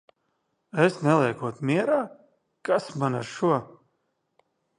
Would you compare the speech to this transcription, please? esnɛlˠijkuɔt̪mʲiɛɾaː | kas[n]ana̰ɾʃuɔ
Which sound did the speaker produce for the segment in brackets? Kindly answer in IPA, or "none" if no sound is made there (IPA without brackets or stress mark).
m